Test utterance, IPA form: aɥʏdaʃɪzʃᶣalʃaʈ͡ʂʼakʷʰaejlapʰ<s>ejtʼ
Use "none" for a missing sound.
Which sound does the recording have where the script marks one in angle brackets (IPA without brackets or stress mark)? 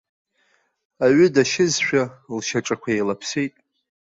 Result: s